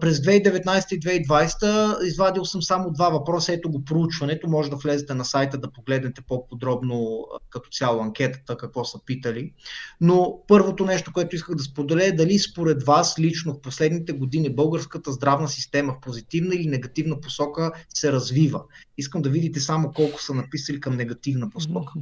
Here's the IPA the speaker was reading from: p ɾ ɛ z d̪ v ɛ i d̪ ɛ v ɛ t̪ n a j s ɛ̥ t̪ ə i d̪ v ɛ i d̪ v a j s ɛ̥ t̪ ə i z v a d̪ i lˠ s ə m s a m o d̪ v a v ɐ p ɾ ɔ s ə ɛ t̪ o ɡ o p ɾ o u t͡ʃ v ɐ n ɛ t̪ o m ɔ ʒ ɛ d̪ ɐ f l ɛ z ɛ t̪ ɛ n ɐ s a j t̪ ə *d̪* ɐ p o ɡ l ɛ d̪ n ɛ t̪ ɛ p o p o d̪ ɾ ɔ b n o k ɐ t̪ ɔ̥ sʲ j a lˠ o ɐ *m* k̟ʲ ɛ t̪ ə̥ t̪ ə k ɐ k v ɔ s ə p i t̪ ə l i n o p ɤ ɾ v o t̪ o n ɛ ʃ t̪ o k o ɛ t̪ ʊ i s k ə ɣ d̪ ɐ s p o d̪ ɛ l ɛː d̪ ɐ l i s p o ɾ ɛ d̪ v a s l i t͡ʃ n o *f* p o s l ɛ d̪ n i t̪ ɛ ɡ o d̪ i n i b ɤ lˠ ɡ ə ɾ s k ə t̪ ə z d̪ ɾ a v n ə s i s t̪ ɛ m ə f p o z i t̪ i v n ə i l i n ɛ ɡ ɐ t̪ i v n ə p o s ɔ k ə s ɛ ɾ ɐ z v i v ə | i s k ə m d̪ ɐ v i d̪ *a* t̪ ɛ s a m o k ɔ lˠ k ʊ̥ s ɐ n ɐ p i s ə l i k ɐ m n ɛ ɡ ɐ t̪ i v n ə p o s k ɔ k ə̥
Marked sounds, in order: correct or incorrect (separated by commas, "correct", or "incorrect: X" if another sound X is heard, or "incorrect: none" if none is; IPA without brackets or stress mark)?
correct, incorrect: ŋ, correct, incorrect: i